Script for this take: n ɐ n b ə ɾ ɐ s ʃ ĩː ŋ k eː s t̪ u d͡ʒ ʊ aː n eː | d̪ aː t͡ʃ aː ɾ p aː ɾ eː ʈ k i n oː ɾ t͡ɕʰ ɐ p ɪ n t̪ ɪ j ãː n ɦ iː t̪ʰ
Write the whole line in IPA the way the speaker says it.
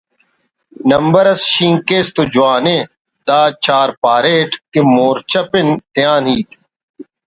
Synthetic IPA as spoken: n ɐ m b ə ɾ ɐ s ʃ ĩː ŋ k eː s t̪ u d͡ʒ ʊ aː n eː | d̪ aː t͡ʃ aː ɾ p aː ɾ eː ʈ k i m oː ɾ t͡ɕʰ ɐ p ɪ n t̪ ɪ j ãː n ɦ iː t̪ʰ